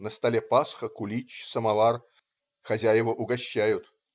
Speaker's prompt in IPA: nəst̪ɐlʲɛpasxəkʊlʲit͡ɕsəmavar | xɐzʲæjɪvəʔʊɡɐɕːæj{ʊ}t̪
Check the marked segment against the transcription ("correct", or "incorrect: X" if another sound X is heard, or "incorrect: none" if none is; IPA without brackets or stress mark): correct